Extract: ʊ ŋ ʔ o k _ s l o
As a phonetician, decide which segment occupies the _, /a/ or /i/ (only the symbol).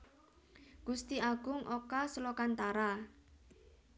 a